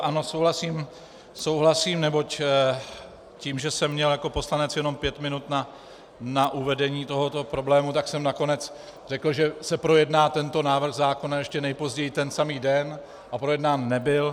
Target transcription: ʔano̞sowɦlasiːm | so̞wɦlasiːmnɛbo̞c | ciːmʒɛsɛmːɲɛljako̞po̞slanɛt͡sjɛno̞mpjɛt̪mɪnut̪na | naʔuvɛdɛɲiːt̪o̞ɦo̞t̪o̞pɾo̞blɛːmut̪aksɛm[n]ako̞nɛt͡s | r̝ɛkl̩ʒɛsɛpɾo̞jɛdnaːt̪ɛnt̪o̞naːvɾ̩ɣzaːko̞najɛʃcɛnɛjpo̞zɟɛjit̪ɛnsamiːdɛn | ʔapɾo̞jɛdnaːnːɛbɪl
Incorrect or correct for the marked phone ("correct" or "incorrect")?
correct